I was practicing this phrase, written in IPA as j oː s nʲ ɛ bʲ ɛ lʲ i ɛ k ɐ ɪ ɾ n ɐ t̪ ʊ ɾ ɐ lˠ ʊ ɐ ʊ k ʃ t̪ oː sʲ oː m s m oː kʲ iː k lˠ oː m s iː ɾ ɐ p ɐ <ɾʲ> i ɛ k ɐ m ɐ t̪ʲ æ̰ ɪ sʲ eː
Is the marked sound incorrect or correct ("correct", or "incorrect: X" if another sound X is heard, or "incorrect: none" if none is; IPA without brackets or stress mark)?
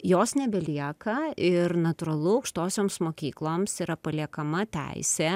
incorrect: lʲ